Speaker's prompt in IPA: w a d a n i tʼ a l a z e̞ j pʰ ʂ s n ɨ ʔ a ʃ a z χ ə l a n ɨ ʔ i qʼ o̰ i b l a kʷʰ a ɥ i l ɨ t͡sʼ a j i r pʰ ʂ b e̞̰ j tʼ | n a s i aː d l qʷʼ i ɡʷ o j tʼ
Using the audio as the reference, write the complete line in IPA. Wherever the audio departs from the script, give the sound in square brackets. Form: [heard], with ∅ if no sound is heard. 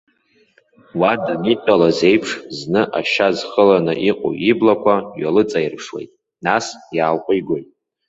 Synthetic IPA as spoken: w a d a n i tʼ a l a z e̞ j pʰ ʂ [z] n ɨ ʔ a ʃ a z χ ə l a n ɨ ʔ i qʼ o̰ i b l a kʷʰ a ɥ [a] l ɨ t͡sʼ a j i r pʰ ʂ [w] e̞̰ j tʼ | n a s [j] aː [∅] l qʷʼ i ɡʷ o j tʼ